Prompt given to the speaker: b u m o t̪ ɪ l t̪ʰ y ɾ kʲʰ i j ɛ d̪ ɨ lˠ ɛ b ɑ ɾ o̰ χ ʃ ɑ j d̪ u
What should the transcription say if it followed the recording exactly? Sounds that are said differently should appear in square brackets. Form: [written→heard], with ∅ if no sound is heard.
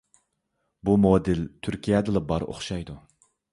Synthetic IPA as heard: b u m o [t̪→d̪] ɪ l t̪ʰ y ɾ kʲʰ i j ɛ d̪ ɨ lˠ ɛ b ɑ ɾ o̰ χ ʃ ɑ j d̪ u